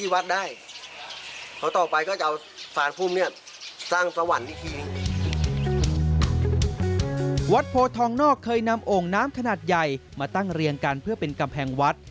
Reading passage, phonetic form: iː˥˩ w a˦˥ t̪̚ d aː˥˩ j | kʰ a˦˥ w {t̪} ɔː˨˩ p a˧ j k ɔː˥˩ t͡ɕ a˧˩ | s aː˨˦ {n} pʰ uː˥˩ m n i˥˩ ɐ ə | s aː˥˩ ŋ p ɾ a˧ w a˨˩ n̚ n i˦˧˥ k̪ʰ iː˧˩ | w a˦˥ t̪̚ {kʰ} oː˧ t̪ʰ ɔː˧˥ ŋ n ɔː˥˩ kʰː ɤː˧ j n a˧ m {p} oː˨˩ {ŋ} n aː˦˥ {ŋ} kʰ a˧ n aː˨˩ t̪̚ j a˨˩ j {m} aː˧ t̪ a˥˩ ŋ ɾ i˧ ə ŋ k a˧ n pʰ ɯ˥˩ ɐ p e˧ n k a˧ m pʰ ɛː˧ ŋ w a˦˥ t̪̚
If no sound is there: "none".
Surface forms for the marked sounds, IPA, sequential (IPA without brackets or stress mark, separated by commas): t̪, n, pʰ, ʔ, ŋ, m, m